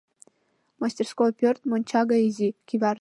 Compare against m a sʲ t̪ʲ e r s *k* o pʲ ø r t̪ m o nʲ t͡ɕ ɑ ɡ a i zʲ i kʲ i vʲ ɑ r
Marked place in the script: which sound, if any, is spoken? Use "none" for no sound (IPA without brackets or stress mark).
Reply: k